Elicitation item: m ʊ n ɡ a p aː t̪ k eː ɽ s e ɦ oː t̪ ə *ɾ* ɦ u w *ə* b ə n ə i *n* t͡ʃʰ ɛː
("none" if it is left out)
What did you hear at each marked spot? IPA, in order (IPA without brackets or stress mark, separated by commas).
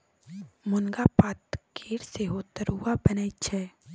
ɾ, a, none